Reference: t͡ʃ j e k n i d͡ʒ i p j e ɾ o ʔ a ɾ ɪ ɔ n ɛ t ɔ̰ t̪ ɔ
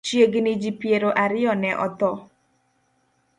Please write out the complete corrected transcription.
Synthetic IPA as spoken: t͡ʃ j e ɡ n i d͡ʒ i p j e ɾ o ʔ a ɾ ɪ ɔ n ɛ ʔ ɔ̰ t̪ ɔ

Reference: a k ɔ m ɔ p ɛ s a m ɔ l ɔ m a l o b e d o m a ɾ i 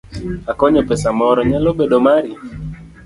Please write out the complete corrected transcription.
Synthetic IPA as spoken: a k ɔ ɲ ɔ p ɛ s a m ɔ ɾ ɔ ɲ a l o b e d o m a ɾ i

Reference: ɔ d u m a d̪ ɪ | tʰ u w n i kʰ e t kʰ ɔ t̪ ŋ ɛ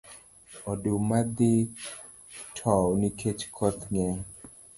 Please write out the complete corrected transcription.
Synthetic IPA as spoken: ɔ d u m a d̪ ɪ | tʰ ɔ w n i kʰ e t͡ʃ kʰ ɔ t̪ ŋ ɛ

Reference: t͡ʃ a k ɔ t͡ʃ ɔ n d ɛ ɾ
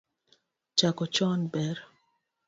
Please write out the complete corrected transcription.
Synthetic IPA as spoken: t͡ʃ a k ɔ t͡ʃ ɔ n b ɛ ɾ

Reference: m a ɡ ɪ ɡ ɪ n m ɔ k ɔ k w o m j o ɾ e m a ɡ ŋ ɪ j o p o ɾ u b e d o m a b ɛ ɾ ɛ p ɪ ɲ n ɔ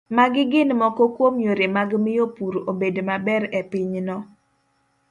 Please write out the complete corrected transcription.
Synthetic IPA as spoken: m a ɡ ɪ ɡ ɪ n m ɔ k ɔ k w o m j o ɾ e m a ɡ m ɪ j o p u ɾ o b e d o m a b ɛ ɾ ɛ p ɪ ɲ n ɔ

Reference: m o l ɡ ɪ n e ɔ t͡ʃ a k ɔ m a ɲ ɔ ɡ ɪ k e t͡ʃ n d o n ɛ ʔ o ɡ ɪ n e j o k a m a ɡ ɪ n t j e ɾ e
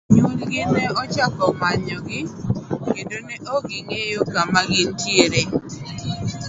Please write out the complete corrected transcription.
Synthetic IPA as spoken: ɲ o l ɡ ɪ n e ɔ t͡ʃ a k ɔ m a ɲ ɔ ɡ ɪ k e n d o n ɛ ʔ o ɡ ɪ ŋ e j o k a m a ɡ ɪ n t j e ɾ e

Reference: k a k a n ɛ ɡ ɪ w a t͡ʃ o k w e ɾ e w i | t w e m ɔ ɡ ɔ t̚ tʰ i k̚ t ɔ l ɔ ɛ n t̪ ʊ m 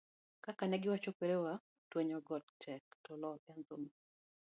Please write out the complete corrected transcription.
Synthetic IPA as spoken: k a k a n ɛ ɡ ɪ w a t͡ʃ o k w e ɾ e w a | t w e ɲ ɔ ɡ ɔ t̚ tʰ ɛ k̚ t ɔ l ɔ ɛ n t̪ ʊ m

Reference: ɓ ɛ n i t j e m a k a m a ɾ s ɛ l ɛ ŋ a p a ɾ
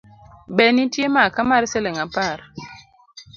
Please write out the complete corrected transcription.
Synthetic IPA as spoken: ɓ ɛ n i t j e m a k a m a ɾ s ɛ l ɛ ŋ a p a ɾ

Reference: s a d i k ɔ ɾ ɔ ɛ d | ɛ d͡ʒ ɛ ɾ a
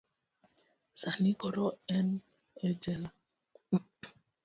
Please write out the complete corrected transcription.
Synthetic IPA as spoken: s a n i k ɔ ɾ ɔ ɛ n | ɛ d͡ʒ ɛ l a

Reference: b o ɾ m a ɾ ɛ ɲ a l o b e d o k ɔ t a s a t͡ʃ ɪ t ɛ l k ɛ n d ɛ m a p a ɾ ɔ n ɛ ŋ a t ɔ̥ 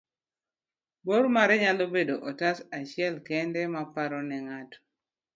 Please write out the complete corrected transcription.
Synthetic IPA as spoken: b o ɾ m a ɾ ɛ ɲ a l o b e d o ʔ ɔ t a s a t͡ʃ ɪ ɛ l k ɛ n d ɛ m a p a ɾ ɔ n ɛ ŋ a t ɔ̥

